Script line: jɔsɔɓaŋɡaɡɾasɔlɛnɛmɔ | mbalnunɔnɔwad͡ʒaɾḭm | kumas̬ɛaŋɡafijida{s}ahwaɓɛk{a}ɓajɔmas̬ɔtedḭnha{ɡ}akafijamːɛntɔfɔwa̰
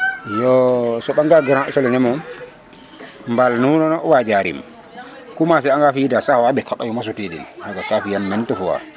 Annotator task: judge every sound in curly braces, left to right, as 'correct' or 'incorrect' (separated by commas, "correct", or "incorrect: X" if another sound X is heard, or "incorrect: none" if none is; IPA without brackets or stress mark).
correct, correct, correct